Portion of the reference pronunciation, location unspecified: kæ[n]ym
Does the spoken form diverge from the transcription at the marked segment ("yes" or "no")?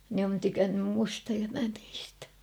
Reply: yes